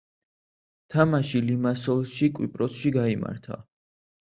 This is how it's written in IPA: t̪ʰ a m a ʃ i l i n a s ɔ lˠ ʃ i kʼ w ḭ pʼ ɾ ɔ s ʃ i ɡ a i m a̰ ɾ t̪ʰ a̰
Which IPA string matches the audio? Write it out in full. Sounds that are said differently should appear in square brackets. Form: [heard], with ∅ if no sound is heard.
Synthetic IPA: t̪ʰ a m a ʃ i l i [m] a s ɔ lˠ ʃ i kʼ w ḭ pʼ ɾ ɔ s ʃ i ɡ a i m a̰ ɾ t̪ʰ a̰